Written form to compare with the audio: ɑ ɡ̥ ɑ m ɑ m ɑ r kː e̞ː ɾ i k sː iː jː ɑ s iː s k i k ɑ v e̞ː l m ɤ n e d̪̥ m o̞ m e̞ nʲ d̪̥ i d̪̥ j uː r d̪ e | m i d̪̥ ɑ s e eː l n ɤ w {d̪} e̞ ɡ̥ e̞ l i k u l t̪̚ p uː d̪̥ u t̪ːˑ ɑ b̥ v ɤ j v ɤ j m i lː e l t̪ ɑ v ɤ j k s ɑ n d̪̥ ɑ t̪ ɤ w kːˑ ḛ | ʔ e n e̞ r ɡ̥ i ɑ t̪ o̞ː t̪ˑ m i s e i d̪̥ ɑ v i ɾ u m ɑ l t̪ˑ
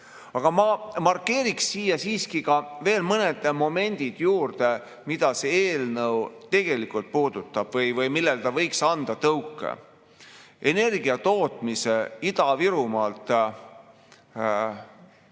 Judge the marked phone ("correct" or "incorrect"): incorrect